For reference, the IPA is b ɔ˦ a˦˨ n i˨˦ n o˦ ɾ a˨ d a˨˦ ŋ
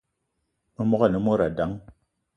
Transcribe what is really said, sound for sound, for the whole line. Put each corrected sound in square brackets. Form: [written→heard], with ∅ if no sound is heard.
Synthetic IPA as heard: [b→m] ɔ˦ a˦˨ n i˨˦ [n→m] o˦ ɾ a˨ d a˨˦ ŋ